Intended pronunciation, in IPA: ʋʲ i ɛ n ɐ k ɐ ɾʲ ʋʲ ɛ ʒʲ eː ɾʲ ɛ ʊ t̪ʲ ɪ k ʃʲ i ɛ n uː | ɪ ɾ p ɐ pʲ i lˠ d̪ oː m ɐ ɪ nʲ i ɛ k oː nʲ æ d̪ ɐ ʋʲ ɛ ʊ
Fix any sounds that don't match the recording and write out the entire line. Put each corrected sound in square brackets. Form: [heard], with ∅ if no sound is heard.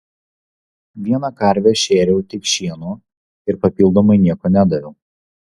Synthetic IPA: ʋʲ i ɛ n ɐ k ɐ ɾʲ ʋʲ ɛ [ʃʲ] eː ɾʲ ɛ ʊ t̪ʲ ɪ k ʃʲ i ɛ n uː | ɪ ɾ p ɐ pʲ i lˠ d̪ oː m ɐ ɪ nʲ i ɛ k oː nʲ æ d̪ ɐ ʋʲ ɛ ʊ